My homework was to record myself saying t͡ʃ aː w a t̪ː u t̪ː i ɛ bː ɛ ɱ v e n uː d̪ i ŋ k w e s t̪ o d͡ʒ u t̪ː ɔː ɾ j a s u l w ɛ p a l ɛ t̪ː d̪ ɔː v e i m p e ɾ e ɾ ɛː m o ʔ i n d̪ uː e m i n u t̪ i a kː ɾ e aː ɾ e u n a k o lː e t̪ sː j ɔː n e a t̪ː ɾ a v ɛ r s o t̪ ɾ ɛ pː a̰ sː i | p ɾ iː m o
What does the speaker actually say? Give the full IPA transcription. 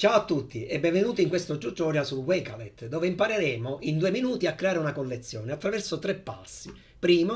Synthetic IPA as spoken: t͡ʃ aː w a t̪ː u t̪ː i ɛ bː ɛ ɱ v e n uː t̪ i ŋ k w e s t̪ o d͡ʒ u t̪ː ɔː ɾ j a s u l w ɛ k a l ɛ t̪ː d̪ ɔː v e i m p a ɾ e ɾ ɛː m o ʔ i n d̪ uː e m i n uː t̪ i a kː ɾ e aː ɾ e u n a k o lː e t̪ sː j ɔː n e a t̪ː ɾ a v ɛ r s o t̪ ɾ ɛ pː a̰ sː i | p ɾ iː m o